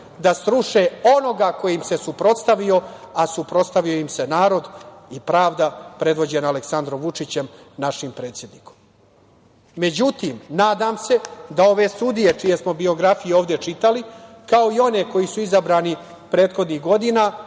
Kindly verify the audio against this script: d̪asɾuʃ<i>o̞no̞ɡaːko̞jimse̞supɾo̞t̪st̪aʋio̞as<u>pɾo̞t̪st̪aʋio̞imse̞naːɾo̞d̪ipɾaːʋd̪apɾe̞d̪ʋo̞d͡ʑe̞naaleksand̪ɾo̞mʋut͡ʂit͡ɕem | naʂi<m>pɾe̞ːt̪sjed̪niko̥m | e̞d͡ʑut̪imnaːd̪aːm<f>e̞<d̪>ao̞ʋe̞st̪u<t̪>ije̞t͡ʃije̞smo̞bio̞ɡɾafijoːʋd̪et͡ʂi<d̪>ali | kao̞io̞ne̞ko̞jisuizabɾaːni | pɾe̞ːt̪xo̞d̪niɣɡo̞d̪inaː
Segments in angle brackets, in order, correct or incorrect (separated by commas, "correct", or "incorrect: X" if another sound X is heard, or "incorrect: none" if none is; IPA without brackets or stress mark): incorrect: e, correct, correct, incorrect: s, correct, incorrect: d̪, incorrect: t̪